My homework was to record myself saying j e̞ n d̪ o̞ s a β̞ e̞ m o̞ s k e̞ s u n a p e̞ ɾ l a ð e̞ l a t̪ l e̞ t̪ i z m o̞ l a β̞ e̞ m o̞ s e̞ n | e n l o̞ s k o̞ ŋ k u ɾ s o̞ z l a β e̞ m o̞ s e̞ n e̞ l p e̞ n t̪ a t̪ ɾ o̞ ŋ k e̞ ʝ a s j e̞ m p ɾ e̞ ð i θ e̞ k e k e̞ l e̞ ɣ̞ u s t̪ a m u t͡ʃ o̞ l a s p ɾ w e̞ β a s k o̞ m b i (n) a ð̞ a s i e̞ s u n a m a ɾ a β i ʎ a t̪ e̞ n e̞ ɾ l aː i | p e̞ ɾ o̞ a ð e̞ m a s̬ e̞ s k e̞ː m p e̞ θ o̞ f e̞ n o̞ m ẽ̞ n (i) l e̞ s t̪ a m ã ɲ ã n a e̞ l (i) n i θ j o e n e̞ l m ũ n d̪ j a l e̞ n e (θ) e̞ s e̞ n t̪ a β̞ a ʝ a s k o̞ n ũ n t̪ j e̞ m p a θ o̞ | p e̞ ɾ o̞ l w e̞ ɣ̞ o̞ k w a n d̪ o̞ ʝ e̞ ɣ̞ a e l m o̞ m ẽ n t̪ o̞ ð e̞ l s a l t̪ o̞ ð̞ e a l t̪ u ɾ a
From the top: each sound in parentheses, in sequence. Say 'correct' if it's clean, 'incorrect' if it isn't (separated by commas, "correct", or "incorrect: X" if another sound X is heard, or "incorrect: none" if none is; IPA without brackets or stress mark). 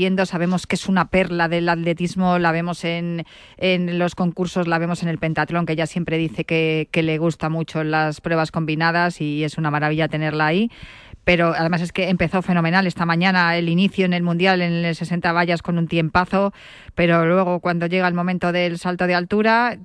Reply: correct, incorrect: a, correct, incorrect: s